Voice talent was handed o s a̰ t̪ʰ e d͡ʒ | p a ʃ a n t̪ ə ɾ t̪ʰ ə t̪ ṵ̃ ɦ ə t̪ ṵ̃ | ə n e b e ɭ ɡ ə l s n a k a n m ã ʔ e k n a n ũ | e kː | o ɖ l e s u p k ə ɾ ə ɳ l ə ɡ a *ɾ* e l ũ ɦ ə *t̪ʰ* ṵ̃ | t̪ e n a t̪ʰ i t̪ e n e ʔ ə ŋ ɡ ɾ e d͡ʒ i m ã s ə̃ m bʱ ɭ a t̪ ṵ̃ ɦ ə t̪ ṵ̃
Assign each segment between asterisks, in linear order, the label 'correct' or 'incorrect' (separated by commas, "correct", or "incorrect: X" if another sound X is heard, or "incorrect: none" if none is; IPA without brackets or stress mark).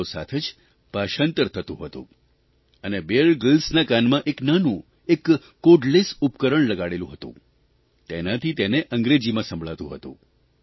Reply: incorrect: ɽ, incorrect: t̪